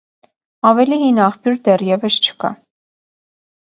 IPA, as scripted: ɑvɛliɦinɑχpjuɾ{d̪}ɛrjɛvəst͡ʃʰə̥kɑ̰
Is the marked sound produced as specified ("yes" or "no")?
yes